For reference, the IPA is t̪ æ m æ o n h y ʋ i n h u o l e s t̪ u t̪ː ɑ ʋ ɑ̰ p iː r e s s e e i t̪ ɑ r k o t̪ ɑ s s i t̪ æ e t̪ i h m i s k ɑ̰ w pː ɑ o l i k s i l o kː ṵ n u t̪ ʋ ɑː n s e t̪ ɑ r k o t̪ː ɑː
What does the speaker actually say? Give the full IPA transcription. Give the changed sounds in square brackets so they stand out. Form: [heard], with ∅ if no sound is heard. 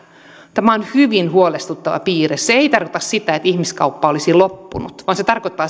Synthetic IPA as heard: t̪ æ m æ o n h y ʋ i n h u o l e s t̪ u t̪ː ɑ ʋ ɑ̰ p iː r e s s e e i t̪ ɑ r k o t̪ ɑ s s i t̪ æ e t̪ i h m i s k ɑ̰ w pː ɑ o l i [∅] s i l o [pː] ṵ n u t̪ ʋ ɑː n s e t̪ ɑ r k o t̪ː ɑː